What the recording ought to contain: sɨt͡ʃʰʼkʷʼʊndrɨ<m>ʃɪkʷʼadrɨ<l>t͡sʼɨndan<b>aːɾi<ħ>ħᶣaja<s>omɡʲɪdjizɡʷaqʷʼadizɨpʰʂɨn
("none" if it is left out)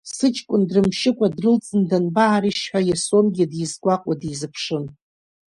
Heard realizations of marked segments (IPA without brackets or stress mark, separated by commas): m, l, b, ʃ, s